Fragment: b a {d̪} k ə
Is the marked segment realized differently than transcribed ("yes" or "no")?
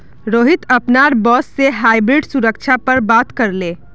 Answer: yes